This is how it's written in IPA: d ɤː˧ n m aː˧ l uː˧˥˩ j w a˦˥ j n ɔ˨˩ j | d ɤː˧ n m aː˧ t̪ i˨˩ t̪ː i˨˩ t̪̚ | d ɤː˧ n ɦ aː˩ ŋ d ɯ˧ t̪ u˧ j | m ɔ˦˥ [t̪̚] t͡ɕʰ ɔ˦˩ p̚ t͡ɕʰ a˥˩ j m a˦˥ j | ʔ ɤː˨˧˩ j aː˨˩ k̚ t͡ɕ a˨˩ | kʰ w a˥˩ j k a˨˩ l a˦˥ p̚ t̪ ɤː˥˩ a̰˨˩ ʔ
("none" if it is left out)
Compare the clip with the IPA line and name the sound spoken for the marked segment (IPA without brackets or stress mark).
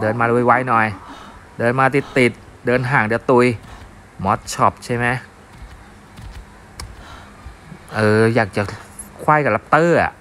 t̪̚